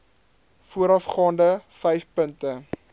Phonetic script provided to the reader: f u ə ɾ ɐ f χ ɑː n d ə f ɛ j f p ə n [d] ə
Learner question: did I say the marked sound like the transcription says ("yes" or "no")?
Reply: no